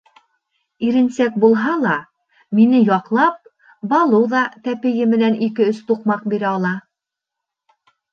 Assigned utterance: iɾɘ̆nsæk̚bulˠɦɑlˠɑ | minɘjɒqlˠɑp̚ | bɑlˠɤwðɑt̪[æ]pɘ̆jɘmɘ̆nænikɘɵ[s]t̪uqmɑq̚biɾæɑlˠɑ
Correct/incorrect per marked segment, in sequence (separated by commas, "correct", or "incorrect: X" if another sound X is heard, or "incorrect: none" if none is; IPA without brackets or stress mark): correct, correct